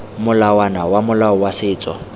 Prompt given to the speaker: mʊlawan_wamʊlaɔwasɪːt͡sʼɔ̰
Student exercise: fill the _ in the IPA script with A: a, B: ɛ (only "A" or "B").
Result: A